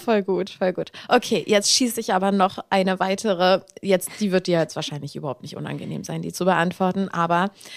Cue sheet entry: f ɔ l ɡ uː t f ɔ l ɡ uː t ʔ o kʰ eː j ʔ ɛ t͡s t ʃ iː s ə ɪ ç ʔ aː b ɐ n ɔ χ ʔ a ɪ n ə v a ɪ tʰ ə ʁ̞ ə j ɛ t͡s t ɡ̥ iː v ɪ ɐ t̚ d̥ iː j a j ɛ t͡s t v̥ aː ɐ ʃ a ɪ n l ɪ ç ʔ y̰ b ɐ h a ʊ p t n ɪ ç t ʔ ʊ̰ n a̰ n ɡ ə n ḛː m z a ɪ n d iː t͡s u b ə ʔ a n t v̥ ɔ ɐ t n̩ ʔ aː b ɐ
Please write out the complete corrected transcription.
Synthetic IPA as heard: f ɔ l ɡ uː t f ɔ l ɡ uː t ʔ o kʰ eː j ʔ ɛ t͡s t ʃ iː s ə ɪ ç ʔ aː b ɐ n ɔ χ ʔ a ɪ n ə v a ɪ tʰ ə ʁ̞ ə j ɛ t͡s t d̥ iː v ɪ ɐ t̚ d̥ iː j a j ɛ t͡s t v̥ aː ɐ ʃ a ɪ n l ɪ ç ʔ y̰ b ɐ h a ʊ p t n ɪ ç t ʔ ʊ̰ n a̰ n ɡ ə n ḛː m z a ɪ n d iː t͡s u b ə ʔ a n t v̥ ɔ ɐ t n̩ ʔ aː b ɐ